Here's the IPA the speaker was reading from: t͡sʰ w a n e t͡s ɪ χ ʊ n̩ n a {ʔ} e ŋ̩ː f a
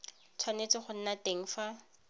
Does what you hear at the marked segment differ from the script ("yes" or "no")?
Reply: yes